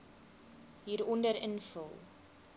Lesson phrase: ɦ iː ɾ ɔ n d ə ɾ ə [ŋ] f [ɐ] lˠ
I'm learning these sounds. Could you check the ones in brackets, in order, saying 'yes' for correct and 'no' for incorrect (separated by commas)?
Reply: no, no